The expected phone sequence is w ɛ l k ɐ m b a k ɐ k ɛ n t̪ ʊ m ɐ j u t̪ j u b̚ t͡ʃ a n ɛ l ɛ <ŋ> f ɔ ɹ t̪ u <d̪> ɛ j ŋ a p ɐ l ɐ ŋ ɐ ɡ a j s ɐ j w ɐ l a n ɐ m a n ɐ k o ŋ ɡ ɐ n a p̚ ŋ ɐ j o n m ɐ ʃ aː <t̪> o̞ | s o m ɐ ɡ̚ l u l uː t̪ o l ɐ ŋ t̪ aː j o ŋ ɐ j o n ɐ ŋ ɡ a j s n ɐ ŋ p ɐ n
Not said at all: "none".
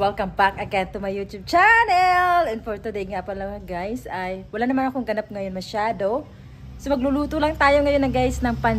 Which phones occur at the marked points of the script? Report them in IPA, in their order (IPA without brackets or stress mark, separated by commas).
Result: n, d̪, d̪